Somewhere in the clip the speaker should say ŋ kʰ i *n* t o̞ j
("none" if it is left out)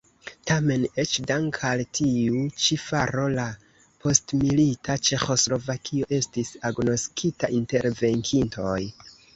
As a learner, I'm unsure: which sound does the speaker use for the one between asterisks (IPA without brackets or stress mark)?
n